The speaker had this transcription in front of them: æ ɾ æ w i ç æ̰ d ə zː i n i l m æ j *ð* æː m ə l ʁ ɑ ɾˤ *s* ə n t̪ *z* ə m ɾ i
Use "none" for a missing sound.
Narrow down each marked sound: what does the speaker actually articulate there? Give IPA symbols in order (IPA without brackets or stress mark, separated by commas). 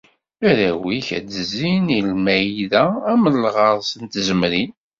ð, s, z